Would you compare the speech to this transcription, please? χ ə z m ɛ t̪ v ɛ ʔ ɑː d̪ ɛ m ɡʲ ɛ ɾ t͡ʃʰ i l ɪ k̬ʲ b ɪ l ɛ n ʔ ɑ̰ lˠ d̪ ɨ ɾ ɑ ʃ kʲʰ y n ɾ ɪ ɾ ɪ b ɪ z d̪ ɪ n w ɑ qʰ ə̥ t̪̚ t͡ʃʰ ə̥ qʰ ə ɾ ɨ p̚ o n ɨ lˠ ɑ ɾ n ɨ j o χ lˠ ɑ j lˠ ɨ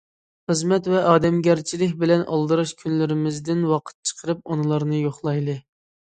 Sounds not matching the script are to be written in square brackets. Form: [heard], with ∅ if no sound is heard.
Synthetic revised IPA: χ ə z m ɛ t̪ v ɛ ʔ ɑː d̪ ɛ m ɡʲ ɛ ɾ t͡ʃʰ i l ɪ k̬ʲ b ɪ l ɛ n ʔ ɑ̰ lˠ d̪ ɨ ɾ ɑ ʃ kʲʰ y n [l] ɪ ɾ ɪ [m] ɪ z d̪ ɪ n w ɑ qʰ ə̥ t̪̚ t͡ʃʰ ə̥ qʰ ə ɾ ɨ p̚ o n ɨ lˠ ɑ ɾ n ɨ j o χ lˠ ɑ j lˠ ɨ